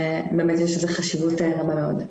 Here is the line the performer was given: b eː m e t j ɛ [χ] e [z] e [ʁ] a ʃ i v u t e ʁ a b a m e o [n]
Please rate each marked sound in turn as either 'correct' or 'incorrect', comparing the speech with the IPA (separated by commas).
incorrect, correct, incorrect, incorrect